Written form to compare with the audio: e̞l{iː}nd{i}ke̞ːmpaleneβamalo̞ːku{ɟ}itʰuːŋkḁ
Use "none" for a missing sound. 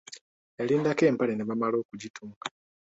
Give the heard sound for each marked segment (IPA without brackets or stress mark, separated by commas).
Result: iː, a, ɟ